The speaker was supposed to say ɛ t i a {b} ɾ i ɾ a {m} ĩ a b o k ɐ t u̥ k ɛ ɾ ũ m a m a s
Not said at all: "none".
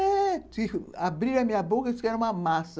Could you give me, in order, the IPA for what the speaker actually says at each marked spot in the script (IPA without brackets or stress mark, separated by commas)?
b, m